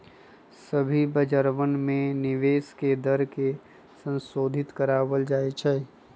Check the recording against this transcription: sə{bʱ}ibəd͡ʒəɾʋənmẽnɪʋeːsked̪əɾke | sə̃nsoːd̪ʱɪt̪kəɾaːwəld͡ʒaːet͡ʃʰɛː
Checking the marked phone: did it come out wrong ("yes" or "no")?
no